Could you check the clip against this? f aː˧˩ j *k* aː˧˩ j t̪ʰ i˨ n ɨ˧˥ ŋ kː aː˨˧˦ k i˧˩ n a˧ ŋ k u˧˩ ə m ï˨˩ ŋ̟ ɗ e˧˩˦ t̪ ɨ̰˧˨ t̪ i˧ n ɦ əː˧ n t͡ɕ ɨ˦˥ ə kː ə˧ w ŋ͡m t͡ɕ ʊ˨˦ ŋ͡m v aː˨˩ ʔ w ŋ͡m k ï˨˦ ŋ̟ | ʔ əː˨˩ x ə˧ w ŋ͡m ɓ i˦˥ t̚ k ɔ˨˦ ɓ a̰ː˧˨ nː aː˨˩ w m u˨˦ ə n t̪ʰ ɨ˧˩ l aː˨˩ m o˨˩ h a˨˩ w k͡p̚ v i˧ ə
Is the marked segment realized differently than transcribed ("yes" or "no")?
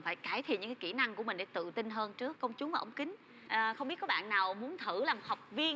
no